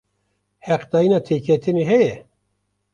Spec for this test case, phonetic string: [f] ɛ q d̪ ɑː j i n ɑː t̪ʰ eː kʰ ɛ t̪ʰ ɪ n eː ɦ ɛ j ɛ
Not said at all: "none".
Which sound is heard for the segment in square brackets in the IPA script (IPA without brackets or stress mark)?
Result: h